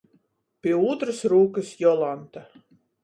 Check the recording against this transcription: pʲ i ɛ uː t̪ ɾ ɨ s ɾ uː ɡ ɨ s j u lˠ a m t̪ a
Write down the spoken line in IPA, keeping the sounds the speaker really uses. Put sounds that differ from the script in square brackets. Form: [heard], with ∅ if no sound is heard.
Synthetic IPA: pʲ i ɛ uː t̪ ɾ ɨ s ɾ uː [k] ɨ s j [ɔ] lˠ a [n] t̪ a